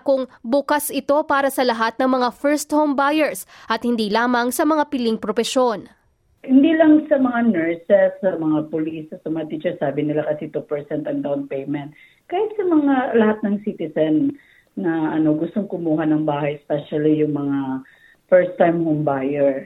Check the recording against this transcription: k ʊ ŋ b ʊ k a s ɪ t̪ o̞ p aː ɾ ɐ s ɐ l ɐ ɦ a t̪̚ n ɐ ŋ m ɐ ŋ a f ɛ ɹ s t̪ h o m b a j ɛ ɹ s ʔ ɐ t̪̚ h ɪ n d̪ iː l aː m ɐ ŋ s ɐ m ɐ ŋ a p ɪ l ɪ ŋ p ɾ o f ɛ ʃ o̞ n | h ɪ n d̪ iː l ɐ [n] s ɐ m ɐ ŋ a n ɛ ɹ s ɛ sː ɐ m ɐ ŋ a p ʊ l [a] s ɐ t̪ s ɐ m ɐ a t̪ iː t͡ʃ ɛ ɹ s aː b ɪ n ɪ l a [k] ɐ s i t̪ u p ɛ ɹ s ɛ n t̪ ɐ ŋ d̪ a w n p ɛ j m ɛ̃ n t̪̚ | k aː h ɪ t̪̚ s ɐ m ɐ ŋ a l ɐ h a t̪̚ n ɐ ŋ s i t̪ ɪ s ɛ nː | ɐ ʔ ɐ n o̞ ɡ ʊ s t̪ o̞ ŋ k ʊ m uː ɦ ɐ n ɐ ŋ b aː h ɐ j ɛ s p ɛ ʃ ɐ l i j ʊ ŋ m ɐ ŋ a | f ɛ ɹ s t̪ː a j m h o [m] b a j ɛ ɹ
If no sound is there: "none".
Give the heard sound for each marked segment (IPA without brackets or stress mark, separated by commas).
ŋ, i, k, m